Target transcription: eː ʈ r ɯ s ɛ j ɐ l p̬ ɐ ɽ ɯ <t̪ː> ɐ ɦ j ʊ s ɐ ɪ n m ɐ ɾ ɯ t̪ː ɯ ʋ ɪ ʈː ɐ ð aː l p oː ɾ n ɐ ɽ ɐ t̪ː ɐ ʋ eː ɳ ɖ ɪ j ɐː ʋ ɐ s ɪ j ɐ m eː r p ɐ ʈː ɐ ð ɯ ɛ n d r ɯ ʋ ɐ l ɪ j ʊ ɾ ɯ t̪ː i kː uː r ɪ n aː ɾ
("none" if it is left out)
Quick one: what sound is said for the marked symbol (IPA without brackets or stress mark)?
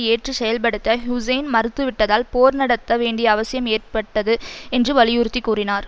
t̪ː